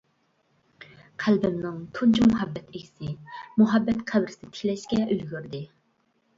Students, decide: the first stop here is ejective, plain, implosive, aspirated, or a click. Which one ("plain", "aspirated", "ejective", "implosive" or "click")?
aspirated